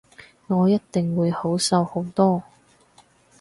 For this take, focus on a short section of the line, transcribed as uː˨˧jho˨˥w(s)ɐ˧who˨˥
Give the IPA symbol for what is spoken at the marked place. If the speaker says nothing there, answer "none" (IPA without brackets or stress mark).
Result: s